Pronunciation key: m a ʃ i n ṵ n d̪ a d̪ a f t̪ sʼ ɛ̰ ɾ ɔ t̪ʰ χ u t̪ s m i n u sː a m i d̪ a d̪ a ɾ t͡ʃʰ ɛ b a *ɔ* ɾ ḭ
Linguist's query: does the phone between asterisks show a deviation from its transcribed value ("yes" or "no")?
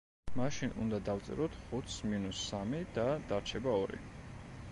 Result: no